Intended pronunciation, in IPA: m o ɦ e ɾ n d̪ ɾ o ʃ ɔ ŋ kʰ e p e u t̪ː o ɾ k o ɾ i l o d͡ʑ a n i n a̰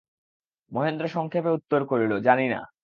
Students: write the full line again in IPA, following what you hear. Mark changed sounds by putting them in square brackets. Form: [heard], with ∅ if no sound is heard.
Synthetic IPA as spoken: m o ɦ e [∅] n d̪ ɾ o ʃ ɔ ŋ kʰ e p e u t̪ː o ɾ k o ɾ i l o d͡ʑ a n i n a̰